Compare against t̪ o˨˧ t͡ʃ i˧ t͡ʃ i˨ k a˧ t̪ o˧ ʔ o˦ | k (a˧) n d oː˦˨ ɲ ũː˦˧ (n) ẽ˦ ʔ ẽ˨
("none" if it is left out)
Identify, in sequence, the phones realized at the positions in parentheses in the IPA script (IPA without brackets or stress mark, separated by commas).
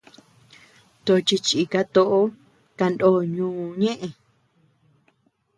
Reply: a˧, ɲ